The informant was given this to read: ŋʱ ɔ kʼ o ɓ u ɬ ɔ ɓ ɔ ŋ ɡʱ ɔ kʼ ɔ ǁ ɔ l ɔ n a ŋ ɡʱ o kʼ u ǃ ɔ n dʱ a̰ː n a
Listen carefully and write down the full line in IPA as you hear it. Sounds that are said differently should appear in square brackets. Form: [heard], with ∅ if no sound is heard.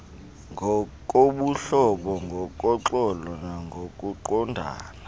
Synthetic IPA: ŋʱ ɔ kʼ o ɓ u ɬ ɔ ɓ ɔ ŋ ɡʱ ɔ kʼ ɔ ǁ ɔ l ɔ n a ŋ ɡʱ o kʼ u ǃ ɔ n dʱ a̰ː n a